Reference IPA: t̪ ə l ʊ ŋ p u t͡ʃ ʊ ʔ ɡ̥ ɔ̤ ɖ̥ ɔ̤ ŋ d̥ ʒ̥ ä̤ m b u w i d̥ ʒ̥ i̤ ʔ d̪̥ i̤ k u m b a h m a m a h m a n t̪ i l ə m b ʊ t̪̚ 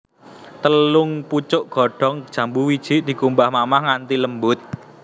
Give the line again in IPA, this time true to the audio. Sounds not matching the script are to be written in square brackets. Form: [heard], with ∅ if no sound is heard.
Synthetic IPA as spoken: t̪ ə l ʊ ŋ p u t͡ʃ ʊ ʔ ɡ̥ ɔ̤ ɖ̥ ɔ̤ ŋ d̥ ʒ̥ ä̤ m b u w i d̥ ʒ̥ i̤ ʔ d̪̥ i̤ k u m b a h m a m a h [ŋ] a n t̪ i l ə m b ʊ t̪̚